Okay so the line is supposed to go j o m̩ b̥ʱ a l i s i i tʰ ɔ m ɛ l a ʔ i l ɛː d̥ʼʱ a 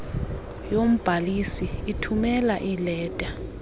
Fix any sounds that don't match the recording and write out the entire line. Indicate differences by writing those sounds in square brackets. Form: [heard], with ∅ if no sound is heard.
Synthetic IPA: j o m̩ b̥ʱ a l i s i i tʰ [u] m ɛ l a ʔ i l ɛː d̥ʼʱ a